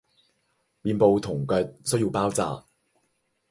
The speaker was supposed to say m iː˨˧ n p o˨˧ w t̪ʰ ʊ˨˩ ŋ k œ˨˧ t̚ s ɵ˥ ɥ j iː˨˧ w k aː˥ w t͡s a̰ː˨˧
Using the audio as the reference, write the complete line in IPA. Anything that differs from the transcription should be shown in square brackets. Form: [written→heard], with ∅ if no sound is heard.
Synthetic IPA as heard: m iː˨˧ n p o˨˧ w t̪ʰ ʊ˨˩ ŋ k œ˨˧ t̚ s ɵ˥ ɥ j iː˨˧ w [k→p] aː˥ w t͡s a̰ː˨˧